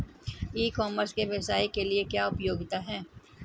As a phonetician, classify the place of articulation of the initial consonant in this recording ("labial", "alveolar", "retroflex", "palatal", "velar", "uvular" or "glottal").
velar